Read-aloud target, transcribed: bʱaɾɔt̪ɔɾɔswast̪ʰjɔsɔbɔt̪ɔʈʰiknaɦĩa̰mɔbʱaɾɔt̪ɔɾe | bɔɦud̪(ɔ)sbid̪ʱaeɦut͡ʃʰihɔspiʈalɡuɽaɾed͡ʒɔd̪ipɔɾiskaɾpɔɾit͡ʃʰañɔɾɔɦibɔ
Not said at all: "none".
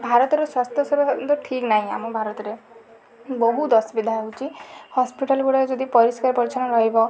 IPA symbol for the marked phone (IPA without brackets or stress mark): ɔ